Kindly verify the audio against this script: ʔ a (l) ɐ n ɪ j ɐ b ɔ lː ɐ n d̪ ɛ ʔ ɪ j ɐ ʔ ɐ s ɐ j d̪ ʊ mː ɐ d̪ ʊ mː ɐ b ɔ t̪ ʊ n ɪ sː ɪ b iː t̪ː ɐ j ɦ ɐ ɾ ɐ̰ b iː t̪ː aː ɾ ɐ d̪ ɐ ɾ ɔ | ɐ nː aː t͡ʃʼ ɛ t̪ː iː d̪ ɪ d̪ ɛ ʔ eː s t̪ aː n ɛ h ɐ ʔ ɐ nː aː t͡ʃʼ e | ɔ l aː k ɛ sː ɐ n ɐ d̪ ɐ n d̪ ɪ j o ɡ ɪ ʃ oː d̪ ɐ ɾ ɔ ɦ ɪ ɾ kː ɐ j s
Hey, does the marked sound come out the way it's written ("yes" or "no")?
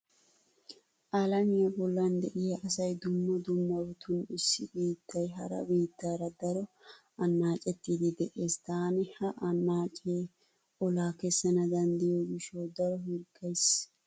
yes